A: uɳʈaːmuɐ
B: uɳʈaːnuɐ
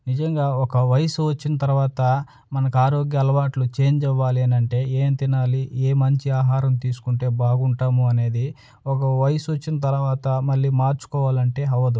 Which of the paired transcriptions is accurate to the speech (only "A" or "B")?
A